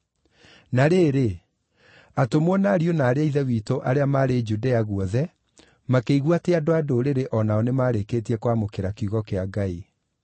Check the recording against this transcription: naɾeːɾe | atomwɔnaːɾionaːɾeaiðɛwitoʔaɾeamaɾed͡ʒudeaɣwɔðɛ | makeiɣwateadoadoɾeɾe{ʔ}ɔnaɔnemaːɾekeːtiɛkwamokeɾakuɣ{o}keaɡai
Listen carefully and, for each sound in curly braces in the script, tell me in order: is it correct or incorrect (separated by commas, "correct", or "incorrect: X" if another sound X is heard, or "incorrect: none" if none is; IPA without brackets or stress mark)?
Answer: correct, incorrect: ɔ